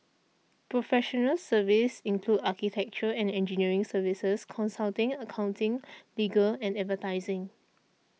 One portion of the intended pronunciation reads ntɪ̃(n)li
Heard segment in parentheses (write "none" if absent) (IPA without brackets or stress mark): ŋ